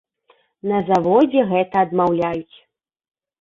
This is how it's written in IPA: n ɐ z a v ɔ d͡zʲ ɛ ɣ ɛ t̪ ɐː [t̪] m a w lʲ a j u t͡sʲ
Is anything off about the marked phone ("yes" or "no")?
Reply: yes